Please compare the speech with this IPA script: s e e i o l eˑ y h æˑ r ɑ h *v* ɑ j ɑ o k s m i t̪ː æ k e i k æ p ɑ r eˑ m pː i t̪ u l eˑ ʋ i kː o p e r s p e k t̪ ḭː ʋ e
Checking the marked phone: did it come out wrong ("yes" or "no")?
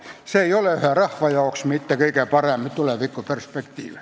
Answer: yes